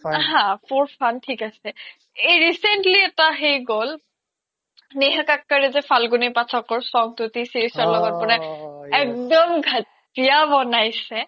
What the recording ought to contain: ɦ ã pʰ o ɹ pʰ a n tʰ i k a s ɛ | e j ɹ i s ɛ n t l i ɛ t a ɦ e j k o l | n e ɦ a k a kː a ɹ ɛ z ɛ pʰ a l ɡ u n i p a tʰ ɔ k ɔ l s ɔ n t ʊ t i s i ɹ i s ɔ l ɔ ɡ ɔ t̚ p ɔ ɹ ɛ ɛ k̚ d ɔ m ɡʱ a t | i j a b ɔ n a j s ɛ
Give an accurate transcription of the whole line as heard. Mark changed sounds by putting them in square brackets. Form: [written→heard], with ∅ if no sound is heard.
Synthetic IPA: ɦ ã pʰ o ɹ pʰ a n tʰ i k a s ɛ | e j ɹ i s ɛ n t l i ɛ t a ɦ e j [k→ɡ] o l | n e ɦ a k a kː a ɹ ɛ z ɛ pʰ a l ɡ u n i p a tʰ ɔ k ɔ [l→ɹ] s ɔ [n→ŋ] t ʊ t i s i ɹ i s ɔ l ɔ ɡ ɔ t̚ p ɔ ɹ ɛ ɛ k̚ d ɔ m ɡʱ a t | i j a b ɔ n a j s ɛ